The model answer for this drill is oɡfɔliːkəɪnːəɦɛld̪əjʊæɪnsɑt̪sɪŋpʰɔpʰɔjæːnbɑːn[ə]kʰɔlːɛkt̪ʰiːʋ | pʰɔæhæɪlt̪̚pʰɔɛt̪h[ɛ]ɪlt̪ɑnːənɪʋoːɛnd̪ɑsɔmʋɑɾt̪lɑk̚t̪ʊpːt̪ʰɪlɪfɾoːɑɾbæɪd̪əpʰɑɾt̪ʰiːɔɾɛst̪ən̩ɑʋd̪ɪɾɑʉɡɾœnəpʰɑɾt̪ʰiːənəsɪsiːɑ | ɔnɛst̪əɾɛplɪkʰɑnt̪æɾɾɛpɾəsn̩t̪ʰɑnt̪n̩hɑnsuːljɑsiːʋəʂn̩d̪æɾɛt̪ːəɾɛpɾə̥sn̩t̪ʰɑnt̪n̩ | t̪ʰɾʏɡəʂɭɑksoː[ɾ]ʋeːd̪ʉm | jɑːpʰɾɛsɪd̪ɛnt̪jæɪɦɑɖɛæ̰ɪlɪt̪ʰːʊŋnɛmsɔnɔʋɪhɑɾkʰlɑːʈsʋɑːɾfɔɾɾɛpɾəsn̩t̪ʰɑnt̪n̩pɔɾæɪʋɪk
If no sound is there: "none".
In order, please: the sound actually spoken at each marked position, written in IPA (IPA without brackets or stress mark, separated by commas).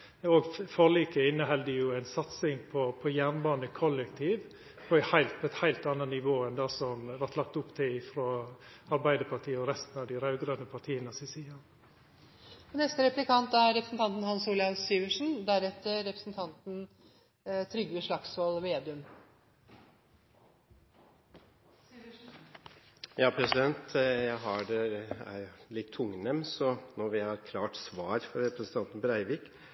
ə, æ, l